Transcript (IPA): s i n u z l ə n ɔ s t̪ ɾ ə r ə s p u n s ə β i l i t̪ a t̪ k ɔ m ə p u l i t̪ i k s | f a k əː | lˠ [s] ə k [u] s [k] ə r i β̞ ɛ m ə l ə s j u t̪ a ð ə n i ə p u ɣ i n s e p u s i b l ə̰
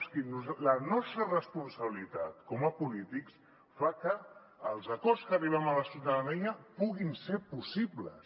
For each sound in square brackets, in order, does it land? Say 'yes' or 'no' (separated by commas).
no, no, yes